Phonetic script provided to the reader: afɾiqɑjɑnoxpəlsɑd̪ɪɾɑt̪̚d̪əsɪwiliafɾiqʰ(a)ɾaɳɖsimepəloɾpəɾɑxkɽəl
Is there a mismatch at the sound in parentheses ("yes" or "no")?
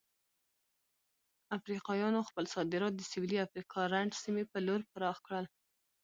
yes